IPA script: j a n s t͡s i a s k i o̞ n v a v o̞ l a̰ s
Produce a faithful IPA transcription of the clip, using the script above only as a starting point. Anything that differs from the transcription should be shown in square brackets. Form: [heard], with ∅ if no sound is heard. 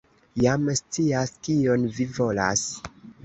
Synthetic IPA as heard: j a [m] s t͡s i a s k i o̞ n v [i] v o̞ l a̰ s

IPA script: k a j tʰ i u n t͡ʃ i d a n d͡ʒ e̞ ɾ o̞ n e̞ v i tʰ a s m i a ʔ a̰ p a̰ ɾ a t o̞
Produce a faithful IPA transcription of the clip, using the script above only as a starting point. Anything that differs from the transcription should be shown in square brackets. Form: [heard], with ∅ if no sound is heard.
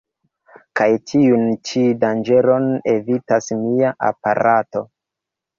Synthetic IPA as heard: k a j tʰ i u n t͡ʃ i d a n d͡ʒ e̞ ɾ o̞ n e̞ v i [t] a s m i a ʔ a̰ p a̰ ɾ a t o̞

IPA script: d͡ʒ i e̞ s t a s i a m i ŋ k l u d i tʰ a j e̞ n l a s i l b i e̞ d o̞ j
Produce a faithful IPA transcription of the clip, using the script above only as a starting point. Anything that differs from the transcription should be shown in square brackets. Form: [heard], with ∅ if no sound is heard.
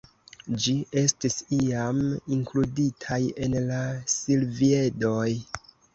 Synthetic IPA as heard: d͡ʒ i e̞ s t [i] s i a m i ŋ k l u d i tʰ a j e̞ n l a s i l [v] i e̞ d o̞ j

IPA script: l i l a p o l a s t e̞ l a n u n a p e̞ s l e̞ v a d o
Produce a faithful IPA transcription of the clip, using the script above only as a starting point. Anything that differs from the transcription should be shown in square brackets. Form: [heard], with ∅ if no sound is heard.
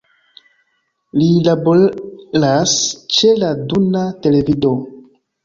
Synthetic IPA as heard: l i l a [b] o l a s [t͡ʃ] e̞ l a [d] u n a [t] e̞ [∅] l e̞ v [i] d o

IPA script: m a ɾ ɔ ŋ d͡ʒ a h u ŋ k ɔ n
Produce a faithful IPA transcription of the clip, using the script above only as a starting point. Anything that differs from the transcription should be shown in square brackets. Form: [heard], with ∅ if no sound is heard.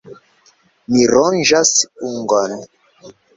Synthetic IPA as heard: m [i] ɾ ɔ [n] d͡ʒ a [s] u ŋ [ɡ] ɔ n

